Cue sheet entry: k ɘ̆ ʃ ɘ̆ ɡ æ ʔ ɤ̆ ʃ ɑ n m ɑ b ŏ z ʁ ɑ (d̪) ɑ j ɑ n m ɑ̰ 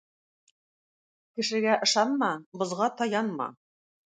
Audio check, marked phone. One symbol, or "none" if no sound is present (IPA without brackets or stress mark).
t̪